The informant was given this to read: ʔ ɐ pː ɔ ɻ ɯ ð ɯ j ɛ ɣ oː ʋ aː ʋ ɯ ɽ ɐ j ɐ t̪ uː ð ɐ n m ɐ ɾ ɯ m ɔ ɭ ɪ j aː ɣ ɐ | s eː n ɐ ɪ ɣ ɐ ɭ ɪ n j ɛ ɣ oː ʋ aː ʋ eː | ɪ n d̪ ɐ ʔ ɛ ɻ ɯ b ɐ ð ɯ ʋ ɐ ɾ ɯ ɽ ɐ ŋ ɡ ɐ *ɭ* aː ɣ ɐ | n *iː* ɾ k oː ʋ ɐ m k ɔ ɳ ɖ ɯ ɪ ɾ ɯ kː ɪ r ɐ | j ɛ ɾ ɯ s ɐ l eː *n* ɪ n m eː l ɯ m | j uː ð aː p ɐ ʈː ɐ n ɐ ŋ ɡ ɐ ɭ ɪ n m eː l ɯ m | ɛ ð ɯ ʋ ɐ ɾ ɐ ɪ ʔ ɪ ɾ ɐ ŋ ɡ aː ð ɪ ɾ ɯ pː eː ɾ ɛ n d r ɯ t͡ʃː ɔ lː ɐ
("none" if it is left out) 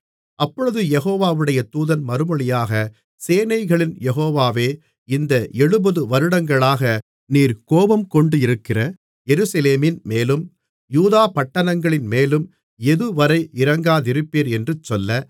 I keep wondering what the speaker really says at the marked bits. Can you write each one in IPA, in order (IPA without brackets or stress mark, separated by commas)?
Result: ɭ, iː, m